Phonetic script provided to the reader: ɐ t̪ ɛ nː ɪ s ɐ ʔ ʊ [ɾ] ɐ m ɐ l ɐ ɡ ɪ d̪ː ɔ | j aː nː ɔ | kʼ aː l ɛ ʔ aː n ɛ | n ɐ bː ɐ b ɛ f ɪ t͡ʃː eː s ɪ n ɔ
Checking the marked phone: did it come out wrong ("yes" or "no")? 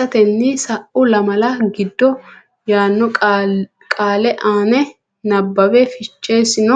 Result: yes